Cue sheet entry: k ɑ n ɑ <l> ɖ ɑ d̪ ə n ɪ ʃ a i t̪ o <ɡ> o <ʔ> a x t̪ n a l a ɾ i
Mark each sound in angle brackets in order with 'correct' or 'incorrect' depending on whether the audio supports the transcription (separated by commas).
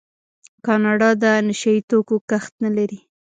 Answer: incorrect, incorrect, incorrect